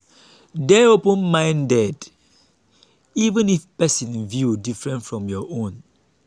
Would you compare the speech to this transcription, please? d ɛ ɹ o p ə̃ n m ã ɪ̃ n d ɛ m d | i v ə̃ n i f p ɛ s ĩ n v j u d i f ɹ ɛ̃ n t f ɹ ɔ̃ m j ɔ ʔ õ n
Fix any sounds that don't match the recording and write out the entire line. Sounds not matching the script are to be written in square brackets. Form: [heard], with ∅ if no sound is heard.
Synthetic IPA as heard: d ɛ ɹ o p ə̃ n m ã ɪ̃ n d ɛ [∅] d | i v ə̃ n i f p ɛ s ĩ n v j u d i f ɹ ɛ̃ n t f ɹ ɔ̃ m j ɔ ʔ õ n